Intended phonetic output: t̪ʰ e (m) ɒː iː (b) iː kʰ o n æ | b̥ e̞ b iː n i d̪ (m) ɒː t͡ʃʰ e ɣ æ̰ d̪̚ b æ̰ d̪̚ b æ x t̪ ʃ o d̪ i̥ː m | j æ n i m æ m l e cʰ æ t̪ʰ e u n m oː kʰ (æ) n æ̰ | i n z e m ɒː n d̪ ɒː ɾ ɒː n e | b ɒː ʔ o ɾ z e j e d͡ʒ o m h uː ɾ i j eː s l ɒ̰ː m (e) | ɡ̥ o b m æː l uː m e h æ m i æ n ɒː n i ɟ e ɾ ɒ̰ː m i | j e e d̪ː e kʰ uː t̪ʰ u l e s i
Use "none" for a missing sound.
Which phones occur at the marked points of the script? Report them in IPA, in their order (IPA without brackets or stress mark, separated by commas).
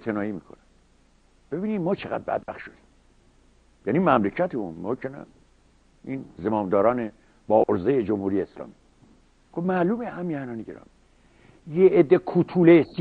n, m, m, e, i